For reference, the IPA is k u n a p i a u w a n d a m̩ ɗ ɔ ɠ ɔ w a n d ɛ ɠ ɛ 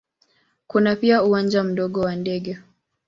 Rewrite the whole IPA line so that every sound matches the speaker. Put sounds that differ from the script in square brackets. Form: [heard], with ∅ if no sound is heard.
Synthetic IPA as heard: k u n a p i a u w a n [d͡ʒ] a m̩ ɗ ɔ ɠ ɔ w a n d ɛ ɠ ɛ